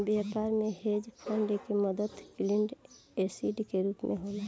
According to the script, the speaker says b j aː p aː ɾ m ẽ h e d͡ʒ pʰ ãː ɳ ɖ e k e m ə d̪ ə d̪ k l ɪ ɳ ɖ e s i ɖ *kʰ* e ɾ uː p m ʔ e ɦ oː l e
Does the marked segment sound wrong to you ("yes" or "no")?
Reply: yes